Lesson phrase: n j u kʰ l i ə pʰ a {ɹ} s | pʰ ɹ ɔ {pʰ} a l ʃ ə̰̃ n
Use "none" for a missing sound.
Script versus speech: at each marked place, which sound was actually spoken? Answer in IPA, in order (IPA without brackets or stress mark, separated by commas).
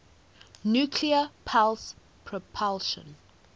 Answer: l, pʰ